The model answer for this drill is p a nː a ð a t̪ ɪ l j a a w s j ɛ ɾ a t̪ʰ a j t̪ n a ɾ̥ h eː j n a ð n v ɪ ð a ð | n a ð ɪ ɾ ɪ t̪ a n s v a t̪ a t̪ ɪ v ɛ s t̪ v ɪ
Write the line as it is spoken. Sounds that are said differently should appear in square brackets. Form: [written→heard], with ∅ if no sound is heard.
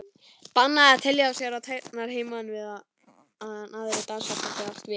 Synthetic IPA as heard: p a nː a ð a [t̪→t̪ʰ] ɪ l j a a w s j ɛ ɾ a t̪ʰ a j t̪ n a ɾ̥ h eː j [n→m] a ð n v ɪ ð a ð | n a ð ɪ ɾ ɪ t̪ a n s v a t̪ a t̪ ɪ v [ɛ→a] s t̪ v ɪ